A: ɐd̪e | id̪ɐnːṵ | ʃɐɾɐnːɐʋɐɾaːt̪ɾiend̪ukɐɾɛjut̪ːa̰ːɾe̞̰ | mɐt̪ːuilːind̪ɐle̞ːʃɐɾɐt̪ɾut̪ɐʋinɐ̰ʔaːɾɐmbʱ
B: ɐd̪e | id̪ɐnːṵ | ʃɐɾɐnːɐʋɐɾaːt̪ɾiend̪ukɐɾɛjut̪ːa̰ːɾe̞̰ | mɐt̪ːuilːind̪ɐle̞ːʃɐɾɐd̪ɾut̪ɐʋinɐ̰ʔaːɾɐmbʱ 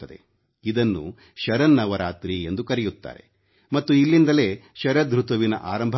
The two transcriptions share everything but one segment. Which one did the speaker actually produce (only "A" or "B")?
B